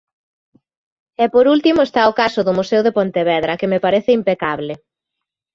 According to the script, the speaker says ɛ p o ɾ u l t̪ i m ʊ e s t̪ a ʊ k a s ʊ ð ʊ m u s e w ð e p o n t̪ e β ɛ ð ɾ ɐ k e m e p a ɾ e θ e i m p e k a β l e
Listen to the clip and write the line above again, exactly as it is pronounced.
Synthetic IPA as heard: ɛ p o ɾ u l t̪ i m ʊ e s t̪ a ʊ k a s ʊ ð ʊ m u s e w ð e p o n t̪ e β ɛ ð ɾ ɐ k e m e p a ɾ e θ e i m p e k a β l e